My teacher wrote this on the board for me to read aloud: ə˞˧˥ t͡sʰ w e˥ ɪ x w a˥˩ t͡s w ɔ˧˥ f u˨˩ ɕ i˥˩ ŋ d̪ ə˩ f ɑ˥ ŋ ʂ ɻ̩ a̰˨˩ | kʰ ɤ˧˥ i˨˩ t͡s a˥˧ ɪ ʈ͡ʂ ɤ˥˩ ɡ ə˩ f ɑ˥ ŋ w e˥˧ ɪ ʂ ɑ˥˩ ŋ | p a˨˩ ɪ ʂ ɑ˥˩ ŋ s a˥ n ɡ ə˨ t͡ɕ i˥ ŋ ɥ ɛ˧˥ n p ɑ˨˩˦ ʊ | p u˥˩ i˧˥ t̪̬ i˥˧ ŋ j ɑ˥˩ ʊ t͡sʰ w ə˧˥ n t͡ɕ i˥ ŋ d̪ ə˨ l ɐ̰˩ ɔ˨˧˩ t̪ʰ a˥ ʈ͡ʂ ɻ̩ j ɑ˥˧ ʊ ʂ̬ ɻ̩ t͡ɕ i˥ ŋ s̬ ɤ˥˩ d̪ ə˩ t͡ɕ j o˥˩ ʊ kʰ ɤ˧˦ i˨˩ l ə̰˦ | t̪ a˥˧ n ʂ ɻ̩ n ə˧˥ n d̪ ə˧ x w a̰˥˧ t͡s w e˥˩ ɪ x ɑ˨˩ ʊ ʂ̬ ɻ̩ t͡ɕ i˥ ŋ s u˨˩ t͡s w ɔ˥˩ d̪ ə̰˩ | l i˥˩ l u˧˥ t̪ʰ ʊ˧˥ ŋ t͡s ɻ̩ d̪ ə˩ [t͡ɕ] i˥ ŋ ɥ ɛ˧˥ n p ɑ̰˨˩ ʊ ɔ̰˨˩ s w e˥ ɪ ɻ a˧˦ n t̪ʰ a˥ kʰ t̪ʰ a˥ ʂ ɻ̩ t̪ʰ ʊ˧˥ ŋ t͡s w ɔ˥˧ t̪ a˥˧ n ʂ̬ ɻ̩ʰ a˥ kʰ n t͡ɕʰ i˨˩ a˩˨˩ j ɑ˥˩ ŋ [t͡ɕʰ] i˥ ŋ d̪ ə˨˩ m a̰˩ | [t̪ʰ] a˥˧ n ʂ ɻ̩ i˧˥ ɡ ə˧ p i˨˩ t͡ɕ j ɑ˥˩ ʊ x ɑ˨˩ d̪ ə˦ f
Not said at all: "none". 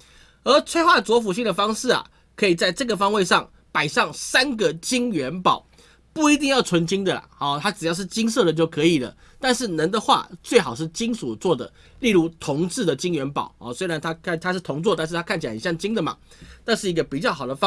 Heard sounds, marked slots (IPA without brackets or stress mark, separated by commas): t͡ɕ, t͡ɕ, t̪